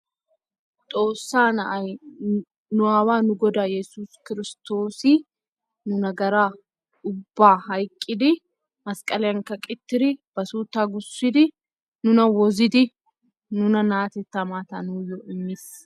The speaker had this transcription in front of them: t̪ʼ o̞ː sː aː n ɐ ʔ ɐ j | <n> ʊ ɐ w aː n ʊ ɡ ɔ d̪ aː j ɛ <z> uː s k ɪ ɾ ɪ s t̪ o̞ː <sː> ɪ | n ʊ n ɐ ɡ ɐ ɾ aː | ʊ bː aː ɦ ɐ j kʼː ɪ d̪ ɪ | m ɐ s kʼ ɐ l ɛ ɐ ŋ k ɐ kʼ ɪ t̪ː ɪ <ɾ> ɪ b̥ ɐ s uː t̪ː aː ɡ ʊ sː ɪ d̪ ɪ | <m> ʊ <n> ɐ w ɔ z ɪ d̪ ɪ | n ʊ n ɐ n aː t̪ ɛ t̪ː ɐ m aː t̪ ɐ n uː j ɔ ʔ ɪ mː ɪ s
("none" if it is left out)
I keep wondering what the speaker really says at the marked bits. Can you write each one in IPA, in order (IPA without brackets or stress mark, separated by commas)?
n, s, s, ɾ, n, n